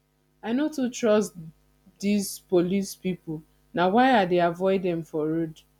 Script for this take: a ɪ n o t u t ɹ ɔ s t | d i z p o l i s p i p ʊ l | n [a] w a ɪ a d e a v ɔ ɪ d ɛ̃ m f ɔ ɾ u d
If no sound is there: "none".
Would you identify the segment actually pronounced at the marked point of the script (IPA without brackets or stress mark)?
a